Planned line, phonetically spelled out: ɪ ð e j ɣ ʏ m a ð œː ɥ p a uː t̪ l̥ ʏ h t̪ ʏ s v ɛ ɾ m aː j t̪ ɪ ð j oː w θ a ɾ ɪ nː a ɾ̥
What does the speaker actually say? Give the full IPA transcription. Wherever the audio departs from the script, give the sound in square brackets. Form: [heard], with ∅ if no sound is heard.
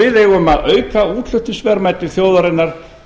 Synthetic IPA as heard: ɪ ð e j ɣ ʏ m a ð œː ɥ [k] a uː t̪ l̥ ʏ h t̪ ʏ s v ɛ ɾ m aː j t̪ ɪ [θ] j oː w [ð] a ɾ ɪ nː a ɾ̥